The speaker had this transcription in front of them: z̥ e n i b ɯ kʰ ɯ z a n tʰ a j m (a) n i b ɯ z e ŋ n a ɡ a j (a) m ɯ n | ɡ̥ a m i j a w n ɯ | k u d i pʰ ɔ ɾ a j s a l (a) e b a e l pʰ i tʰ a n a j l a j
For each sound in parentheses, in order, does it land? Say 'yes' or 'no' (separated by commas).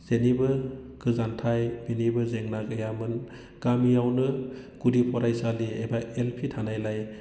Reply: no, yes, no